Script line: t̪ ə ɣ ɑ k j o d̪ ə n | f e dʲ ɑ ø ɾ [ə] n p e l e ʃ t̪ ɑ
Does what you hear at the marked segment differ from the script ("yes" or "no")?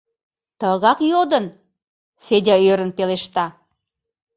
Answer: no